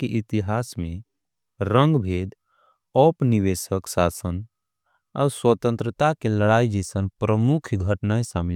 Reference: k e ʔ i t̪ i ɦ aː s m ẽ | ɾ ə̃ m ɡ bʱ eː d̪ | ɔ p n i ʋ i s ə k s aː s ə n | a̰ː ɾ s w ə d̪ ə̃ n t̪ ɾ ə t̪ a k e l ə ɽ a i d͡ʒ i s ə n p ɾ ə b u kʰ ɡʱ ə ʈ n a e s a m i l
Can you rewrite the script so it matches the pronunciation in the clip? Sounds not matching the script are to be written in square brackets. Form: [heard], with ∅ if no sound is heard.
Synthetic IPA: k e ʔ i t̪ i ɦ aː s m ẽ | ɾ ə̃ [ŋ] ɡ bʱ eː d̪ | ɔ p n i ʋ [e] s ə k s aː s ə n | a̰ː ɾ s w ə [t̪] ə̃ n t̪ ɾ ə t̪ a k e l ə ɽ a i d͡ʒ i s ə n p ɾ ə [m] u kʰ ɡʱ ə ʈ n a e s a m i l